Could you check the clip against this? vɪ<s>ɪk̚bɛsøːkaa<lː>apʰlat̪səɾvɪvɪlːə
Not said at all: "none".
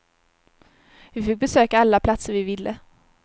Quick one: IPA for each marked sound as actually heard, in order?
f, lː

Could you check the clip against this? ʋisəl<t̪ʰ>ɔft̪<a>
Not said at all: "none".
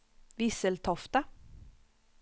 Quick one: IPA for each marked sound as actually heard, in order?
t̪ʰ, ə

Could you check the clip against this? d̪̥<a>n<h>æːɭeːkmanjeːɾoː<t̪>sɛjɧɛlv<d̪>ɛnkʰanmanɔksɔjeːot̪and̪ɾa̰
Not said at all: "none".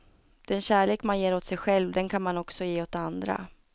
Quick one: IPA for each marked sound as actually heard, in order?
ɛ, ɕ, t̪, d̪

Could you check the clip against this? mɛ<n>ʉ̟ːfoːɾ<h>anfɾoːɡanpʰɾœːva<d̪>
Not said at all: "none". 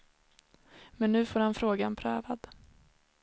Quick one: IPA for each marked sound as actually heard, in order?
nː, h, d̪

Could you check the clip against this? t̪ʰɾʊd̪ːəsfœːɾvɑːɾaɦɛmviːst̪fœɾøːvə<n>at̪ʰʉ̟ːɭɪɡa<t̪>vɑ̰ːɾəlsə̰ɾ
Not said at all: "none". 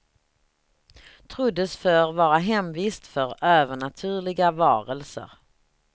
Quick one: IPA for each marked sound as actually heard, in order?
ɳ, none

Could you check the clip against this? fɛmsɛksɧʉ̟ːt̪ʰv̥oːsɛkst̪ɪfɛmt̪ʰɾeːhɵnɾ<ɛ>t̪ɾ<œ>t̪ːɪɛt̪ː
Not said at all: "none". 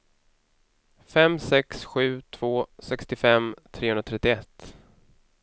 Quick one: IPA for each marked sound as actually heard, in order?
a, ɛ

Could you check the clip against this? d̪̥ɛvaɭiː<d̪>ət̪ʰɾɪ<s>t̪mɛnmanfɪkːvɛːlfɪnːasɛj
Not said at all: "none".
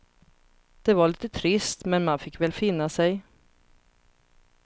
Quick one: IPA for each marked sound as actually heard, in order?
t̪, s

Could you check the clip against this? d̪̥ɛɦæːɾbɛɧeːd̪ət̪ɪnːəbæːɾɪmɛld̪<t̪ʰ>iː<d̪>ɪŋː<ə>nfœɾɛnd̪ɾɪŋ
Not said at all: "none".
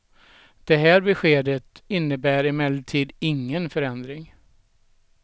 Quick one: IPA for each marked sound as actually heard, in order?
t̪ʰ, d̪, ə

